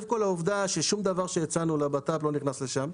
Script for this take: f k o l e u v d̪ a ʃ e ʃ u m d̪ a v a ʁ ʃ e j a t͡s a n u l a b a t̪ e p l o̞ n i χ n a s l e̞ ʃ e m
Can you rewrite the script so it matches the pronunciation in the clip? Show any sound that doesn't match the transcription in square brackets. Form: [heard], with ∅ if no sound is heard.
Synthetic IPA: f k o l [a] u v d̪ a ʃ e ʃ u m d̪ a v a ʁ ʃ e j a t͡s a n u l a b a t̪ [a] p l o̞ n i χ n a s l e̞ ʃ [a] m